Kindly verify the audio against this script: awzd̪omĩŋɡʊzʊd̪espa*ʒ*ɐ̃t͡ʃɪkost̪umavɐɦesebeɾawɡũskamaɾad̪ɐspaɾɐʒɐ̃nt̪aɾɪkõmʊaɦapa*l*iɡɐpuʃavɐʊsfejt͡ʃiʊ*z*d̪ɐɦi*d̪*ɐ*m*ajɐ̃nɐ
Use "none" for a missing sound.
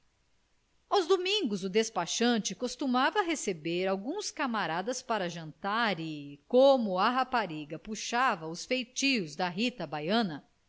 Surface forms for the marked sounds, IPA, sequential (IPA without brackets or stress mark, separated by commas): ʃ, ɾ, z, t̪, b